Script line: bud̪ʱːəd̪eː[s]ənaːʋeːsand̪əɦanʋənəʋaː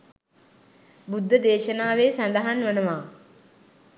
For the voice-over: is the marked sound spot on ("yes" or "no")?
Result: no